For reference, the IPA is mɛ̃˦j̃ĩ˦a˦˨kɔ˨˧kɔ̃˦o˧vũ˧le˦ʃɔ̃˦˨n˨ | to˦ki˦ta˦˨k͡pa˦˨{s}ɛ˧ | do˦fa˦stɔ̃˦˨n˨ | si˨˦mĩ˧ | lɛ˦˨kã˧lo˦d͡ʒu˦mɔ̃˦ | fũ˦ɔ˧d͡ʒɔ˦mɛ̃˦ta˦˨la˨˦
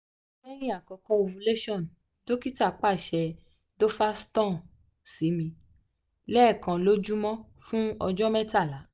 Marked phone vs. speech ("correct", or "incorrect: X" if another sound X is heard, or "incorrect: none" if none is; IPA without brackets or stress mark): incorrect: ʃ